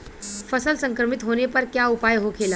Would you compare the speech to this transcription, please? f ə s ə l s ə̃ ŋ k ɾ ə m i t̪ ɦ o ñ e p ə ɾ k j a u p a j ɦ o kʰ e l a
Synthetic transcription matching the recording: f ə s ə l s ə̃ ŋ k ɾ ə m i t̪ ɦ o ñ e p ə ɾ k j a u p a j ɦ o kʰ e l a

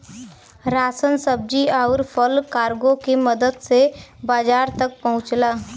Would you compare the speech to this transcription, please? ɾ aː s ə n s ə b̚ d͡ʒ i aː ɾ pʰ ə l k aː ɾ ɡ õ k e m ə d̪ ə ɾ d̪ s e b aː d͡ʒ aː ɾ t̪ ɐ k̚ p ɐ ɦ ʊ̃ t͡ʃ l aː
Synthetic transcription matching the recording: ɾ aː s ə n s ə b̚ d͡ʒ i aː ɾ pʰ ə l k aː ɾ ɡ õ k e m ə d̪ ə d̪ s e b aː d͡ʒ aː ɾ t̪ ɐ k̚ p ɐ ɦ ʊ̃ t͡ʃ l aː

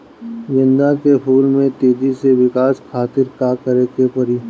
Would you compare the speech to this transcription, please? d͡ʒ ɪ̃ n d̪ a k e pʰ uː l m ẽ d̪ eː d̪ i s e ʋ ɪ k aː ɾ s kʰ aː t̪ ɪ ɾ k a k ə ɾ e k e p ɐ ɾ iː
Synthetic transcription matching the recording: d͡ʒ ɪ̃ n d̪ a k e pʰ uː l m ẽ t̪ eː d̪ i s e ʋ ɪ k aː s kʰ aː t̪ ɪ ɾ k a k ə ɾ e k e p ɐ ɾ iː

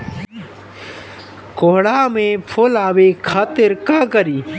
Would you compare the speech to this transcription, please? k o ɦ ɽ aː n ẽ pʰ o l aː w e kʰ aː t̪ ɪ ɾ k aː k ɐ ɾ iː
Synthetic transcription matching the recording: k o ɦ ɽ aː m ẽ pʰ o l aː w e kʰ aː t̪ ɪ ɾ k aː k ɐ ɾ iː

